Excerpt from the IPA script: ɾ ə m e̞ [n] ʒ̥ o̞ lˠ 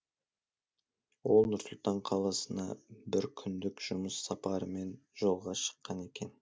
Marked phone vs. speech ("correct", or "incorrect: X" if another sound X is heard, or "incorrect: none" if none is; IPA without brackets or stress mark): correct